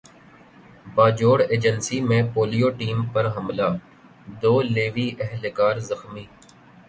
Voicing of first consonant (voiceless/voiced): voiced